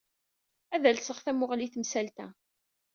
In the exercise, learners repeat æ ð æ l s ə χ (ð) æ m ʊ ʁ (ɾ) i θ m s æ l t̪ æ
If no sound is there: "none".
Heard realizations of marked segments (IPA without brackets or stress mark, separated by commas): θ, l